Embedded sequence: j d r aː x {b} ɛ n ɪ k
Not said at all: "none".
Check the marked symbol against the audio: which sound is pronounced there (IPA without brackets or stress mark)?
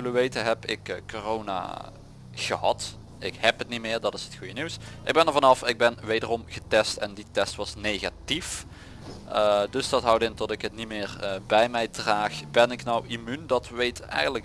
b